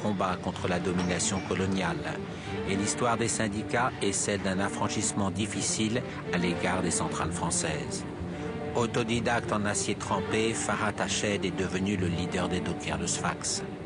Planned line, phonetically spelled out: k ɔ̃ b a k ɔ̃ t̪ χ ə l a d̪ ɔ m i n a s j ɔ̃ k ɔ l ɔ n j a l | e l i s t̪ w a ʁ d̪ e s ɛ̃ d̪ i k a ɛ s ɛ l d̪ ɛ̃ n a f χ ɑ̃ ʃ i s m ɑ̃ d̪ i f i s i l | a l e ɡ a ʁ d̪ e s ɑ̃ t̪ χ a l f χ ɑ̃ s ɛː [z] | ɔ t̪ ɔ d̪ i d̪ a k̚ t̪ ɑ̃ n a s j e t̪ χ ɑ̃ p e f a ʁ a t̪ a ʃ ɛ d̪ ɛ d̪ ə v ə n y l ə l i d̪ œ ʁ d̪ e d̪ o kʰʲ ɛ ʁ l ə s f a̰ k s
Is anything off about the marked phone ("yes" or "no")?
no